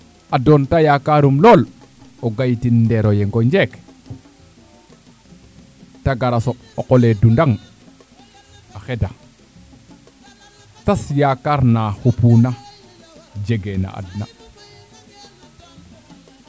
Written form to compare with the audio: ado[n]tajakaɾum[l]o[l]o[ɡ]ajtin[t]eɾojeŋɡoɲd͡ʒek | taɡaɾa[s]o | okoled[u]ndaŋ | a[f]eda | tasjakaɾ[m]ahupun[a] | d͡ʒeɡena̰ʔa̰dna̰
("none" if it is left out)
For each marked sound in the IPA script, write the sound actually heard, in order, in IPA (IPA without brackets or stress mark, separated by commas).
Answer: n, l, l, ɡ, d, s, u, x, n, a